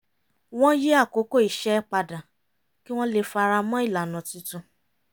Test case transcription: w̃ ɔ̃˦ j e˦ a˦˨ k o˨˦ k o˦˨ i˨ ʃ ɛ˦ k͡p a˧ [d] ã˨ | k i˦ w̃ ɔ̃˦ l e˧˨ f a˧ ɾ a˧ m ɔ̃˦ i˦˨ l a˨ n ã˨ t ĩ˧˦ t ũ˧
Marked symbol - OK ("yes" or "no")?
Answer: yes